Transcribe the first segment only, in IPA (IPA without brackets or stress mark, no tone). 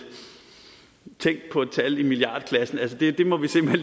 t͡sʰ